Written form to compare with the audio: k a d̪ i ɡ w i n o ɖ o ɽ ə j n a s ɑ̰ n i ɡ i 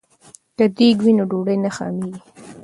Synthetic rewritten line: k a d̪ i ɡ w i n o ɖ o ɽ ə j n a x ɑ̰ m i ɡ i